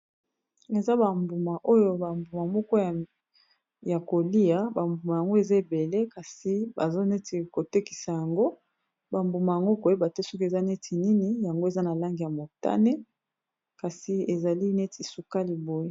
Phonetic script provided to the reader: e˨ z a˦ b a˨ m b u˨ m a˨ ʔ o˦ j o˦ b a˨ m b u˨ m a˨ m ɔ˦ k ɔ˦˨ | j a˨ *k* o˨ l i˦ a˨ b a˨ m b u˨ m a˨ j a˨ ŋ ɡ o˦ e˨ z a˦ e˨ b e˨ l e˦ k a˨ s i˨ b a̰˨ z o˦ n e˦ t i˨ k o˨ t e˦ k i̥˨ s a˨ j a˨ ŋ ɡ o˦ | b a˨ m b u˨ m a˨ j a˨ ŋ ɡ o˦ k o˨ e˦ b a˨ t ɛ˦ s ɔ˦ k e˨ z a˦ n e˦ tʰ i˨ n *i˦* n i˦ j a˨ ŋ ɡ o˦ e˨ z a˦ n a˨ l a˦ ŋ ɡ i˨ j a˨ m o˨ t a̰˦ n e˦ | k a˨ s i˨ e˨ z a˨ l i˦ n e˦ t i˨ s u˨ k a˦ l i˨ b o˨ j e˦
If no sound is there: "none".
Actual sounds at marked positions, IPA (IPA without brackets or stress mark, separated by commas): k, i˦